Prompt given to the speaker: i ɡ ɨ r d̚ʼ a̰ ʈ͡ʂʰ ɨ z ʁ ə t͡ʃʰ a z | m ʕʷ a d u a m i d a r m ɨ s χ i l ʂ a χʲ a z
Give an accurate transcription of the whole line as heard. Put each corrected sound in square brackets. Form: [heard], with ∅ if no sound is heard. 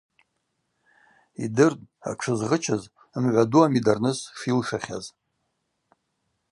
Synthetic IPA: i [d] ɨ r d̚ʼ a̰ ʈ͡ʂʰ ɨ z ʁ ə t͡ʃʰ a z | m ʕʷ a d u a m i d a r [n] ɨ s [ʂ] i l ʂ a χʲ a z